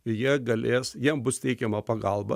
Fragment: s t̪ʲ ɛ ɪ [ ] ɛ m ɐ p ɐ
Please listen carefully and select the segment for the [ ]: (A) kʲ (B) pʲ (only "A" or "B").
A